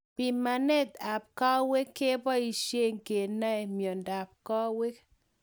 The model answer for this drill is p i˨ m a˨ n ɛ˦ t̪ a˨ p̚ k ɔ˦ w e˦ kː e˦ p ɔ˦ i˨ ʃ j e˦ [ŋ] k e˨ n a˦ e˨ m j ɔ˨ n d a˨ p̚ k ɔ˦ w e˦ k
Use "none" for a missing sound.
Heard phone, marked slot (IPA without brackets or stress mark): ŋ